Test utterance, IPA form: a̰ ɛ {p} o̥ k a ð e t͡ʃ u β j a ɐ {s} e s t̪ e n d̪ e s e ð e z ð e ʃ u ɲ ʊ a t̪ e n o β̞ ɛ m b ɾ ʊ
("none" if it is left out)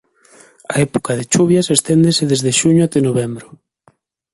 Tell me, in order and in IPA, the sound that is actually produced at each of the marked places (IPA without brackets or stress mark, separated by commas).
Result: p, s